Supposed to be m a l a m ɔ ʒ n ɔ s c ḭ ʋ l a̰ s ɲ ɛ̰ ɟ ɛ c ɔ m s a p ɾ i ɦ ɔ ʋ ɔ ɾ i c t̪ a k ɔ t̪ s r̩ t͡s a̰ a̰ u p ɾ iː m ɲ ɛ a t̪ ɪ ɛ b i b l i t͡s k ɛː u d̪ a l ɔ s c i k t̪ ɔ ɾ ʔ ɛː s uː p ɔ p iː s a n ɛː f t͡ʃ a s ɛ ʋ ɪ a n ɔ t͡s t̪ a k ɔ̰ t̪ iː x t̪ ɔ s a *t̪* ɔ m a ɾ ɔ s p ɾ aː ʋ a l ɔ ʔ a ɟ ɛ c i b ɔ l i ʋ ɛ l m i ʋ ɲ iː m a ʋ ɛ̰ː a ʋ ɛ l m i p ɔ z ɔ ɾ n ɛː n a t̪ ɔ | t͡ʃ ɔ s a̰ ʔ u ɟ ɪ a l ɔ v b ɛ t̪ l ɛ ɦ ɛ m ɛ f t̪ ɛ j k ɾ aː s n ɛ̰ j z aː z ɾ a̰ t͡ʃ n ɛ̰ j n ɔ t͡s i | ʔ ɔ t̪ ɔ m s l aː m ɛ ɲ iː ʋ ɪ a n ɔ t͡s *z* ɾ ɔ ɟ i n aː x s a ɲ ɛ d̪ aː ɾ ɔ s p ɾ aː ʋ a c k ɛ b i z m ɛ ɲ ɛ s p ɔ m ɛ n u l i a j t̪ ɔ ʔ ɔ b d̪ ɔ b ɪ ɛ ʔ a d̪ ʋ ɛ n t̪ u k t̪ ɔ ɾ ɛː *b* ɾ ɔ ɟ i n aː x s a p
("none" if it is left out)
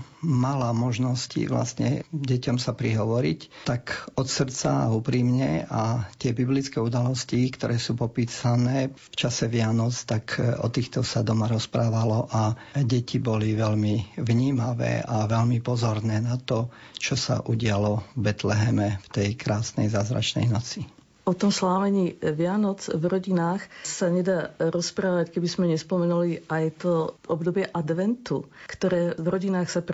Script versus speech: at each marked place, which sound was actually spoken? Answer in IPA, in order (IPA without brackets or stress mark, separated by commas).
d̪, v, v